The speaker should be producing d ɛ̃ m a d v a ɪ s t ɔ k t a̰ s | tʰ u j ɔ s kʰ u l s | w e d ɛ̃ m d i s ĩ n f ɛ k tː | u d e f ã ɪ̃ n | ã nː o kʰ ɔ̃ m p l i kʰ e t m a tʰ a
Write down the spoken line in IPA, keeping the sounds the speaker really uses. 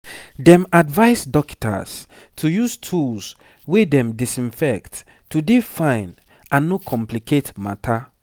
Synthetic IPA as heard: d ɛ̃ m a d v a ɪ s d ɔ k t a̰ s | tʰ u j u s tʰ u l s | w e d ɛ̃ m d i s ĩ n f ɛ k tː | u d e f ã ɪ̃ n | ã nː o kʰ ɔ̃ m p l i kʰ e t m a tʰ a